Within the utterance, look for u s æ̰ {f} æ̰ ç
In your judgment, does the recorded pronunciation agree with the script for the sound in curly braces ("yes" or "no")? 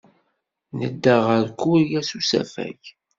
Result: yes